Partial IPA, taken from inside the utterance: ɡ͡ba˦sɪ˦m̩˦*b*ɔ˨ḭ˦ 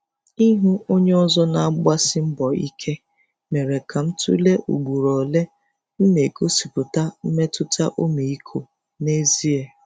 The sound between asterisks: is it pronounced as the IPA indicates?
yes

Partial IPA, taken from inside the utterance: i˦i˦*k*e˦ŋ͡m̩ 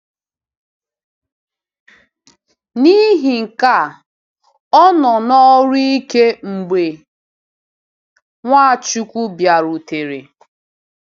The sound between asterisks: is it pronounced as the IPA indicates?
yes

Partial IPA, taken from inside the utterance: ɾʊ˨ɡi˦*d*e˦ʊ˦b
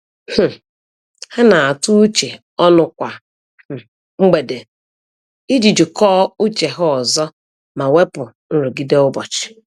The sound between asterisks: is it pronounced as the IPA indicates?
yes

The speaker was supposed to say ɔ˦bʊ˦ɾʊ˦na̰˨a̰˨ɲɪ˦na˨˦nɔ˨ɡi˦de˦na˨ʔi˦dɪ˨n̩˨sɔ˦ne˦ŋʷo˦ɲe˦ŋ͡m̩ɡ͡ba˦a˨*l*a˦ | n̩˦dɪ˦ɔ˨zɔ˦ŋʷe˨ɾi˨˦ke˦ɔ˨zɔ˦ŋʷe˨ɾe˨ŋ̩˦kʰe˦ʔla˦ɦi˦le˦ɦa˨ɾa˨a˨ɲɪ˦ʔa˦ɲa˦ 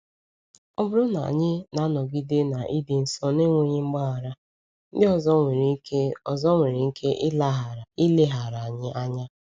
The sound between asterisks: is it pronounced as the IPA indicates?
no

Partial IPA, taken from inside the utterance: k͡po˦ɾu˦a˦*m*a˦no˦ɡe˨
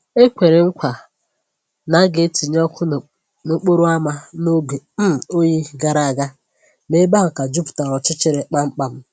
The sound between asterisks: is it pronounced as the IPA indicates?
yes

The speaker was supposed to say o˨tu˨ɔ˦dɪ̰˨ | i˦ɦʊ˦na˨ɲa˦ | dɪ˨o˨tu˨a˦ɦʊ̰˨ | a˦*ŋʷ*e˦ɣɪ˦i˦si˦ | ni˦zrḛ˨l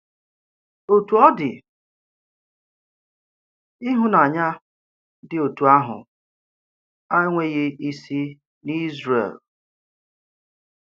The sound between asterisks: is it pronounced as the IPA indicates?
yes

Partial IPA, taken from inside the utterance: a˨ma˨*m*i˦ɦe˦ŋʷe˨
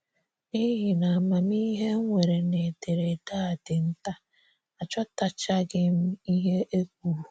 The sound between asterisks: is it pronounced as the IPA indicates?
yes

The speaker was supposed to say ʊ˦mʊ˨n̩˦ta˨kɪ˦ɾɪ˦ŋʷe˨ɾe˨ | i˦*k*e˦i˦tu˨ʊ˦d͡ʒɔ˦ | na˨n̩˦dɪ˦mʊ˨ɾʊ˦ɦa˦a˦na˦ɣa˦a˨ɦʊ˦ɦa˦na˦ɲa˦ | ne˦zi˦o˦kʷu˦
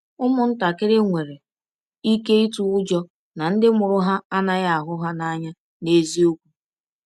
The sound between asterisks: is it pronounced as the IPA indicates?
yes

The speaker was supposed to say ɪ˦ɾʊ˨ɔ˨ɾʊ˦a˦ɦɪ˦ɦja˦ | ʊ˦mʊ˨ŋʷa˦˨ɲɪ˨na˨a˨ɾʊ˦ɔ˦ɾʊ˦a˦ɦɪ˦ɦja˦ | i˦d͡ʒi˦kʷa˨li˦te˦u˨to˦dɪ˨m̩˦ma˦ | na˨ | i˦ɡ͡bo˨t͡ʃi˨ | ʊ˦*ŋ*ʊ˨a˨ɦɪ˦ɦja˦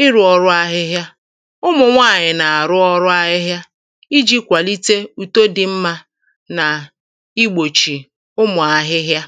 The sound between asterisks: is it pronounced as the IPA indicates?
no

